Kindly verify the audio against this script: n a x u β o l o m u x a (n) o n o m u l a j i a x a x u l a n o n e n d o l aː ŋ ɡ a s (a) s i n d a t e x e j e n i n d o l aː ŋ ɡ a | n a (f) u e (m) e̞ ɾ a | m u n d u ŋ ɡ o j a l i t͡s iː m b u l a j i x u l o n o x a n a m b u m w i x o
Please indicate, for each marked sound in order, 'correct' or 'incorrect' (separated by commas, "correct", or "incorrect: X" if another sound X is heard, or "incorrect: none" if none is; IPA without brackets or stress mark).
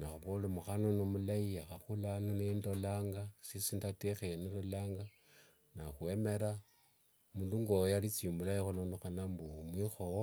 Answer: correct, incorrect: i, incorrect: x, correct